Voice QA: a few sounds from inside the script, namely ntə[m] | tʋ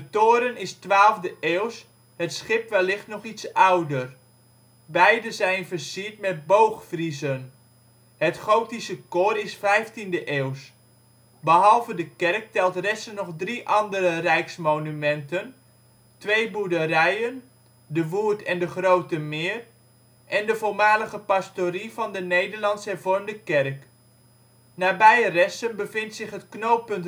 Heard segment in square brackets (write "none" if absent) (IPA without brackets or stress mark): n